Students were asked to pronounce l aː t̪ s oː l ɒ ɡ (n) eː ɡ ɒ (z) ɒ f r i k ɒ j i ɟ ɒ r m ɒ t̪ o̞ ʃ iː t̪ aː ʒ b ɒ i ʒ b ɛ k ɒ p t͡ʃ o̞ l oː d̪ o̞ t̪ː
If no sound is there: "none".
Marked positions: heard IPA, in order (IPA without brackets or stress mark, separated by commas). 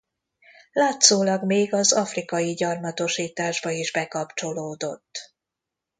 m, z